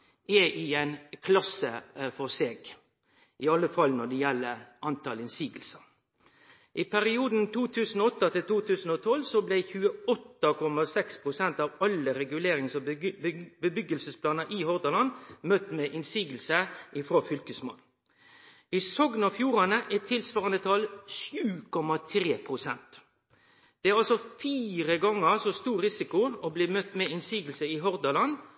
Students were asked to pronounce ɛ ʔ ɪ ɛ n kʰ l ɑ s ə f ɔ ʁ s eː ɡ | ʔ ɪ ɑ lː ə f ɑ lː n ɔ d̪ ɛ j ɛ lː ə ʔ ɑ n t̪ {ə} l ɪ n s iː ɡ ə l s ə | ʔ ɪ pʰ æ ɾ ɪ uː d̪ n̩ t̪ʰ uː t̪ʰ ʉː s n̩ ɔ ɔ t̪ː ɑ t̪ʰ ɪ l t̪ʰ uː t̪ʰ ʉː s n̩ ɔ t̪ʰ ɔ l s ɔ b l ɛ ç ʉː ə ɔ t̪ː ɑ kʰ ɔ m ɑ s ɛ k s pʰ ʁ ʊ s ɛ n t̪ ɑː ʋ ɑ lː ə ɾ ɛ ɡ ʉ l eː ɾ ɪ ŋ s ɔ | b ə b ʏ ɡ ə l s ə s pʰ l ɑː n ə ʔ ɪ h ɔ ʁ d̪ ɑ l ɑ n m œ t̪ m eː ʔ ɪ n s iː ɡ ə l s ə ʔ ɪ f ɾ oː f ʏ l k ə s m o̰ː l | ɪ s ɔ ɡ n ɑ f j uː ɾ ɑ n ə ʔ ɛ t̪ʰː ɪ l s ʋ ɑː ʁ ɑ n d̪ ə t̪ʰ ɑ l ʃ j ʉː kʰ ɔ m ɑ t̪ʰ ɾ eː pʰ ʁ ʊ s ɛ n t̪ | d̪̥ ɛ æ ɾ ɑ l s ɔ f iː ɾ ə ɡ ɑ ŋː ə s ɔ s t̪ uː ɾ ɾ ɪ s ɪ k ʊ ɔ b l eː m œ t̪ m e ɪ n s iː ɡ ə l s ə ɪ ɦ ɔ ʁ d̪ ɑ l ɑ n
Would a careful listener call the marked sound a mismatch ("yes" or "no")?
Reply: yes